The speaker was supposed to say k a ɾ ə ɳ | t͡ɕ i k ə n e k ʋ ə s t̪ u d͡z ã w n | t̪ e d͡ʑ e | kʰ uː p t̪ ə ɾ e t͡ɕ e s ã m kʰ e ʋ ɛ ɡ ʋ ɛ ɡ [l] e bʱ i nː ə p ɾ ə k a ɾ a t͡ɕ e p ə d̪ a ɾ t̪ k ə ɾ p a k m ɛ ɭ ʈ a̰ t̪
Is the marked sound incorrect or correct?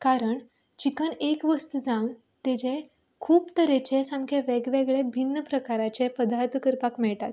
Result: incorrect